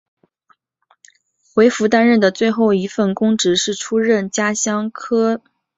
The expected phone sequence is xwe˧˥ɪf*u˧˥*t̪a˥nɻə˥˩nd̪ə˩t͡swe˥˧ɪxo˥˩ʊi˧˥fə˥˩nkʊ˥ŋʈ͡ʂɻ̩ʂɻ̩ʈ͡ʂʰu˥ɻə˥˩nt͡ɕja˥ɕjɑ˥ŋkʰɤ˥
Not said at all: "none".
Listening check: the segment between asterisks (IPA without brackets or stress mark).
u˧˥